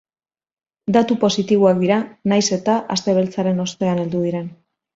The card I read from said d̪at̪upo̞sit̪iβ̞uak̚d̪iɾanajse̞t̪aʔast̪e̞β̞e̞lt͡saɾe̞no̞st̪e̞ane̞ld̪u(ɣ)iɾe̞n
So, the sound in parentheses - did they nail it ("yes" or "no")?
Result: no